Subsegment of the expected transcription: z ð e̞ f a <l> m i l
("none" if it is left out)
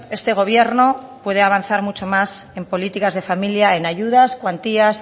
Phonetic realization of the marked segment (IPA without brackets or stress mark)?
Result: none